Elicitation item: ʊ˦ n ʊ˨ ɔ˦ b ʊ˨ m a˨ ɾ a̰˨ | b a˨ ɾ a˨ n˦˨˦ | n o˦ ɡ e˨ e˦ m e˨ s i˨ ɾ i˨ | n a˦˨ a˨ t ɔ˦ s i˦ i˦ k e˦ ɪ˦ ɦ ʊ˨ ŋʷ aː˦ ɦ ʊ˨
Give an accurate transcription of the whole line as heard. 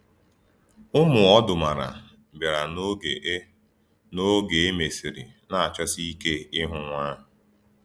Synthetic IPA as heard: ʊ˦ m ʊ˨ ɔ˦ d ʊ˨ m a˨ ɾ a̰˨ | b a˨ ɾ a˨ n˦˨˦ | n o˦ ɡ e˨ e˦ m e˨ s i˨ ɾ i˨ | n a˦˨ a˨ t͡ʃ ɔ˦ s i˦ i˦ k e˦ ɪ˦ ɦ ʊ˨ ŋʷ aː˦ ɦ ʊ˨